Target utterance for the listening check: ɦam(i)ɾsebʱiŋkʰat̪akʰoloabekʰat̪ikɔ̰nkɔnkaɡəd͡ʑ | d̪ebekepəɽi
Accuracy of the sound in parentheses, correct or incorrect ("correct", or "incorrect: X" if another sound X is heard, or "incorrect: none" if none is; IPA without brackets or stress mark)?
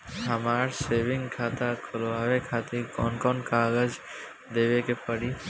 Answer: incorrect: a